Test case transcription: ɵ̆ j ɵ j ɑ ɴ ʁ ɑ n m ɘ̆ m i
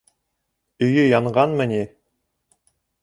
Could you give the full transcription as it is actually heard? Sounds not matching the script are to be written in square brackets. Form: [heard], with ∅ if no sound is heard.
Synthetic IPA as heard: ɵ̆ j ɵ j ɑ ɴ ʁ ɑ n m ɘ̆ [n] i